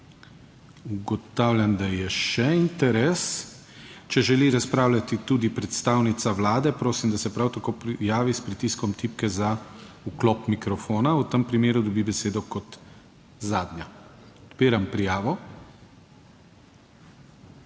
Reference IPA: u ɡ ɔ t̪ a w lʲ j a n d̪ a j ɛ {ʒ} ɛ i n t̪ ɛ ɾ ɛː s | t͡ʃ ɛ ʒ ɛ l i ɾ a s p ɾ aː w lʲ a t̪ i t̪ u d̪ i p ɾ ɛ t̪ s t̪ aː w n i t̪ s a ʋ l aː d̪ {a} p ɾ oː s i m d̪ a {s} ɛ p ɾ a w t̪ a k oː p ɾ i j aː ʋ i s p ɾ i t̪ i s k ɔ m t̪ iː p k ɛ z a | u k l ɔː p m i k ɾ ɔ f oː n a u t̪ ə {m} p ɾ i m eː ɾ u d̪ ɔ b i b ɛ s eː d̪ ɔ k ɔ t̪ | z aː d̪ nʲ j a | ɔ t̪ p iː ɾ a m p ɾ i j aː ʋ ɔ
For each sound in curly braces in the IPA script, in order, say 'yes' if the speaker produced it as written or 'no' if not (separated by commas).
no, no, yes, yes